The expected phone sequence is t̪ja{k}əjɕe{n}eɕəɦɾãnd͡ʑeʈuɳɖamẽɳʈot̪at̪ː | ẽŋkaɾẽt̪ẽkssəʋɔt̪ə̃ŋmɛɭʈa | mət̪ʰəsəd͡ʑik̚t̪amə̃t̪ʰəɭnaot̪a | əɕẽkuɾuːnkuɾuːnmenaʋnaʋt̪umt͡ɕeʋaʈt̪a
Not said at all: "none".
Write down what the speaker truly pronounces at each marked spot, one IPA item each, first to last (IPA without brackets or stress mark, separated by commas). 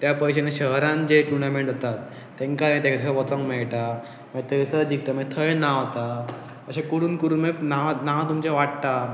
p, n